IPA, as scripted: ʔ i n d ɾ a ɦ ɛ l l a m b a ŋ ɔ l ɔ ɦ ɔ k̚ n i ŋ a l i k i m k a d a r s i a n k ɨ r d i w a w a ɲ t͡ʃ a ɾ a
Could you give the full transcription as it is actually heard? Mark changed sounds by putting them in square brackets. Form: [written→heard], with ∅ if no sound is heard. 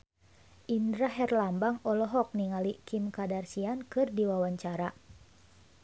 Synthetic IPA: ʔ i n d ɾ a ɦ ɛ [l→r] l a m b a ŋ ɔ l ɔ ɦ ɔ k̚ n i ŋ a l i k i m k a d a r s i a n k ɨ r d i w a w a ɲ t͡ʃ a ɾ a